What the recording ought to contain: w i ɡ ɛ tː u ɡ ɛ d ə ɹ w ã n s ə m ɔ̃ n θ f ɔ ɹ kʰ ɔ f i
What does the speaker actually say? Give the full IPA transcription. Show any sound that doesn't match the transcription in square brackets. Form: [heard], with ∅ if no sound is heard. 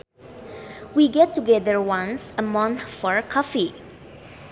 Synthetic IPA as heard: w i ɡ ɛ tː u ɡ ɛ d ə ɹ w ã n s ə m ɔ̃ n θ f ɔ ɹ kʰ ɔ f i